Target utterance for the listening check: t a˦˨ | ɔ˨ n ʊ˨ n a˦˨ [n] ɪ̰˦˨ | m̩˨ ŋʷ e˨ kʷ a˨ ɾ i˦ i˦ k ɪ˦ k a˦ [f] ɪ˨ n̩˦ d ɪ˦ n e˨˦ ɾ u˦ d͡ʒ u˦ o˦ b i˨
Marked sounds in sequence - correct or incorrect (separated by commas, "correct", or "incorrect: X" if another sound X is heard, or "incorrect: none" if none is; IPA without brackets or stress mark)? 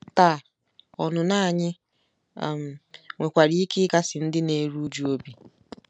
incorrect: ɲ, incorrect: s